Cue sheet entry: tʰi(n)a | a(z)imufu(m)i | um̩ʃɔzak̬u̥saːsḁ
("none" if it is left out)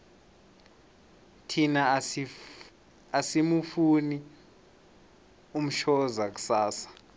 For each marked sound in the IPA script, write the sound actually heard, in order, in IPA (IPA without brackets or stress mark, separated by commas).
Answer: n, s, n